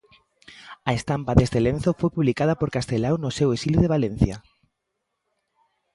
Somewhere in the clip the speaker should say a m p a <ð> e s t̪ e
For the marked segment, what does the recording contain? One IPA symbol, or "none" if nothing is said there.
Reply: ð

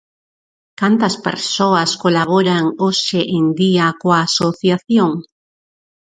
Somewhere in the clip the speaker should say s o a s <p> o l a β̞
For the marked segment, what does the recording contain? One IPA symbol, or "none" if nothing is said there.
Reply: k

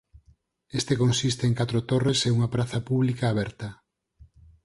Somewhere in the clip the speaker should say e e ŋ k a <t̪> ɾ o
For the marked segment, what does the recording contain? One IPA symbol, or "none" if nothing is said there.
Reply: t̪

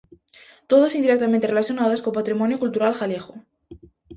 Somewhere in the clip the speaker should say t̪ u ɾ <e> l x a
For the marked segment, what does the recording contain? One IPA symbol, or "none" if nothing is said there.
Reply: a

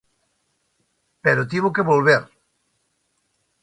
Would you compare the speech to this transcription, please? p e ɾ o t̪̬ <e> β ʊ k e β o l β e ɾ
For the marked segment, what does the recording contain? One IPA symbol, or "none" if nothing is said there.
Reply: i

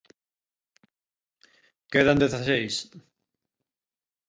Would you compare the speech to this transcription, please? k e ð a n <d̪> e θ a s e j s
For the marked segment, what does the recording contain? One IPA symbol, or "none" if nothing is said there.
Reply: d̪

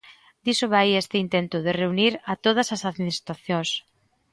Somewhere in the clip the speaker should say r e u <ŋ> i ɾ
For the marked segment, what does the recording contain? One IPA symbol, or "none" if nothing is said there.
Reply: n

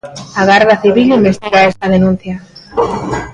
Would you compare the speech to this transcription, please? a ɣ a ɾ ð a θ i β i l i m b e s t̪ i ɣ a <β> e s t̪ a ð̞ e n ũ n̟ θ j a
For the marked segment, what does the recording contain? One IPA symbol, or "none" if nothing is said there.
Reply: none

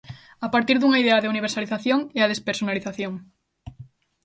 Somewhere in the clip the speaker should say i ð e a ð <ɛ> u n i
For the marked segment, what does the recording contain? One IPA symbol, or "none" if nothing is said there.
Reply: e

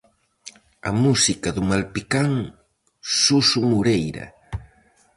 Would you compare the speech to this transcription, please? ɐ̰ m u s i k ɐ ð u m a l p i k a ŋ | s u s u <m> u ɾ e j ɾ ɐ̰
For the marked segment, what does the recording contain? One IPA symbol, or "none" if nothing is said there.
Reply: m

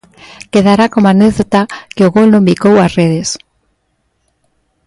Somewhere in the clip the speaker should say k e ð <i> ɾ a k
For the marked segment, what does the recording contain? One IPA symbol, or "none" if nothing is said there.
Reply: a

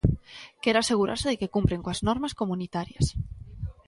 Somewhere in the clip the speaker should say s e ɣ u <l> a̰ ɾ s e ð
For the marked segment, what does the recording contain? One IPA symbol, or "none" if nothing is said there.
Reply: ɾ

